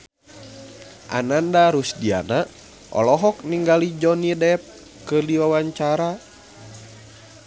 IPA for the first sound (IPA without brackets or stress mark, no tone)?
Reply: ʔ